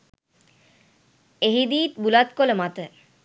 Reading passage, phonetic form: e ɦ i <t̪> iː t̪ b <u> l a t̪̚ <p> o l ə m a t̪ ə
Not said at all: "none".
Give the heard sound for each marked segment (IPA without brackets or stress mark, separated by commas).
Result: d̪, u, k